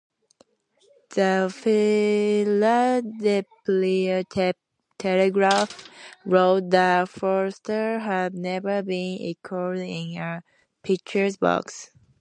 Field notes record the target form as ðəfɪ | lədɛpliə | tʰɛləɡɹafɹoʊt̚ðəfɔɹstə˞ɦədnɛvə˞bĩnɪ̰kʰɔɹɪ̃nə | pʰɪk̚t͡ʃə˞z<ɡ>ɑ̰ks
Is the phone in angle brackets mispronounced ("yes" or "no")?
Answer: yes